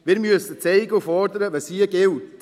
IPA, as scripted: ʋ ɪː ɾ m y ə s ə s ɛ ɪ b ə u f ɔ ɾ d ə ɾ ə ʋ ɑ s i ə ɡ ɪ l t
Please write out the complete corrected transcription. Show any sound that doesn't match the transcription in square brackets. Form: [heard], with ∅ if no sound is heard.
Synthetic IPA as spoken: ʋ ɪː ɾ m y ə s ə [t͡s] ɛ ɪ [ɡ] ə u f ɔ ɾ d ə ɾ ə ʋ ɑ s i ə ɡ ɪ l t